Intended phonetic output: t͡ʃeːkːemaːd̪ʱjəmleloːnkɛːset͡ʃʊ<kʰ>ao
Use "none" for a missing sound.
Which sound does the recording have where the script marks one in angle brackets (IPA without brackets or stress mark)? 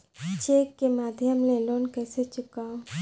k